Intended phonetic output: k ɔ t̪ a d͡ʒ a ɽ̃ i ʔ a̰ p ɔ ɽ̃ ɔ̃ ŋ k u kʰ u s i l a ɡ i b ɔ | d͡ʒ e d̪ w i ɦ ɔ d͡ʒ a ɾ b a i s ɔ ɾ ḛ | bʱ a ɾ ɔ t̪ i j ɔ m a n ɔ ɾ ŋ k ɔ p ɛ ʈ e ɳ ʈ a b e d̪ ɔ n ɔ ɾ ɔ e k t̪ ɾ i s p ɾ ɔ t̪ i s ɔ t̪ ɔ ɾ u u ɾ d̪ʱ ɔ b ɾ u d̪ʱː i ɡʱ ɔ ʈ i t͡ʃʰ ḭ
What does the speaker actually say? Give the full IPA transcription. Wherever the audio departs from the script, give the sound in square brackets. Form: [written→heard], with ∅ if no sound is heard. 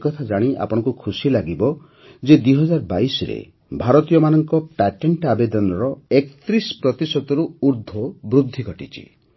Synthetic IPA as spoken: k ɔ [t̪→t̪ʰ] a d͡ʒ a ɽ̃ i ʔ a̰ p ɔ ɽ̃ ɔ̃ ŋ k u kʰ u s i l a ɡ i b ɔ | d͡ʒ e d̪ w i ɦ ɔ d͡ʒ a ɾ b a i s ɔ ɾ ḛ | bʱ a ɾ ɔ t̪ i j ɔ m a n ɔ [ɾ→∅] ŋ k ɔ p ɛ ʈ e ɳ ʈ a b e d̪ ɔ n ɔ ɾ ɔ e k t̪ ɾ i s p ɾ ɔ t̪ i s ɔ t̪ ɔ ɾ u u ɾ d̪ʱ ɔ b ɾ u d̪ʱː i ɡʱ ɔ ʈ i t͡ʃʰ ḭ

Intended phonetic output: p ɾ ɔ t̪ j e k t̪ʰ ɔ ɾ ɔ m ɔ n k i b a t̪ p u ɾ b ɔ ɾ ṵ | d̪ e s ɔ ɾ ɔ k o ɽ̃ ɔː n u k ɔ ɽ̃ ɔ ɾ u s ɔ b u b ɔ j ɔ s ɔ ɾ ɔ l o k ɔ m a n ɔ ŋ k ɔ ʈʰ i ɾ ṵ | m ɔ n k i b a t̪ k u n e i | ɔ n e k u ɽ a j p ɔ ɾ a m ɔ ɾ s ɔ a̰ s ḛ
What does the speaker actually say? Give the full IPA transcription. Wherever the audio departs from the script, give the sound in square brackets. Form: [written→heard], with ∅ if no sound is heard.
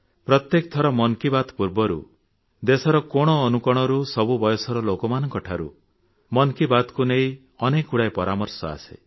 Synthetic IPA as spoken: p ɾ ɔ t̪ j e k t̪ʰ ɔ ɾ ɔ m ɔ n k i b a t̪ p u ɾ b ɔ ɾ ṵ | d̪ e s ɔ ɾ ɔ k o ɽ̃ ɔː n u k ɔ ɽ̃ ɔ ɾ u s ɔ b u b ɔ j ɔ s ɔ ɾ ɔ l o k ɔ m a n ɔ ŋ k ɔ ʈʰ [i→a] ɾ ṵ | m ɔ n k i b a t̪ k u n e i | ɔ n e k u ɽ a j p ɔ ɾ a m ɔ ɾ s ɔ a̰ s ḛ

